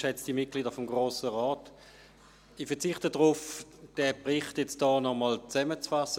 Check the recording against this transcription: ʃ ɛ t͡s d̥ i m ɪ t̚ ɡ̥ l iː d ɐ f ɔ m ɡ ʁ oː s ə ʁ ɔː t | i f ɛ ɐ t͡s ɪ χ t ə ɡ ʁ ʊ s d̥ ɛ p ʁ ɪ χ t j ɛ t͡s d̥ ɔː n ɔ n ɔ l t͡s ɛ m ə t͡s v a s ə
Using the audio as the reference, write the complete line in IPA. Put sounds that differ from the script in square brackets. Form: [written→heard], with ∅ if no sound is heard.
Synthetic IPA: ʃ ɛ t͡s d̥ i m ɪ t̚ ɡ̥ l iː d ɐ f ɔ m ɡ ʁ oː s ə ʁ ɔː t | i f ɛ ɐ t͡s ɪ χ t ə [ɡ→d] ʁ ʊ [s→f] d̥ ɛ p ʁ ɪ χ t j ɛ t͡s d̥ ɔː n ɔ [n→m] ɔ l t͡s ɛ m ə t͡s [v→f] a s ə